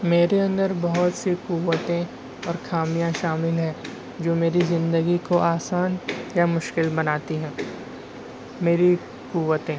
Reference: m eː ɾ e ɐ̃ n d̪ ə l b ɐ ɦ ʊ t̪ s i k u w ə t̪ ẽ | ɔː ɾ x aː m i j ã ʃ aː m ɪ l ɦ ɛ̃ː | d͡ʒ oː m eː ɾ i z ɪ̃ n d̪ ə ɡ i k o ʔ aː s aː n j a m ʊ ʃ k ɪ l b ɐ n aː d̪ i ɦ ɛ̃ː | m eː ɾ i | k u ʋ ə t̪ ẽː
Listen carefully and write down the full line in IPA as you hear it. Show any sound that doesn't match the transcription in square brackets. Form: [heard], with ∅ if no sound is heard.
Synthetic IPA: m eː ɾ e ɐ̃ n d̪ ə [ɾ] b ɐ ɦ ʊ t̪ s i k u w ə t̪ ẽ | ɔː ɾ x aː m i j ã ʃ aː m ɪ l ɦ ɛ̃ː | d͡ʒ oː m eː ɾ i z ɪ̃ n d̪ ə ɡ i k o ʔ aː s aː n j a m ʊ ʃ k ɪ l b ɐ n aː [t̪] i ɦ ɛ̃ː | m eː ɾ i | k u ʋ ə t̪ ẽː